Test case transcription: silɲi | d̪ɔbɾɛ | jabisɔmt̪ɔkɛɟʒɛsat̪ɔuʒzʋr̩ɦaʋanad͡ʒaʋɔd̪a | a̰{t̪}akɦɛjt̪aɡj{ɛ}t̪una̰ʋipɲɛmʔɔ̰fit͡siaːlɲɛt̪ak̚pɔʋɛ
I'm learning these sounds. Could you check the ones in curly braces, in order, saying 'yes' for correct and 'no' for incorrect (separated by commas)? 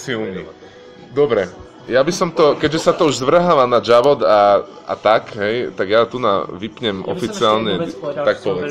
yes, no